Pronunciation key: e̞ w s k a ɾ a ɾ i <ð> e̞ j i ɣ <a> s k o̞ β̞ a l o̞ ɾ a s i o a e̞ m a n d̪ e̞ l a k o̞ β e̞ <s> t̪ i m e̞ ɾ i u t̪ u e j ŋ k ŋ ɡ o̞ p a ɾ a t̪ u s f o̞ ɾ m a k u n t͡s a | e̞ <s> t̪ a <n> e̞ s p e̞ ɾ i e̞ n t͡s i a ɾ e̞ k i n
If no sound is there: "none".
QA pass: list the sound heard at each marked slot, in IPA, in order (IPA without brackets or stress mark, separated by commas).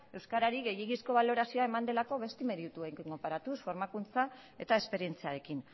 ɣ, i, s, none, none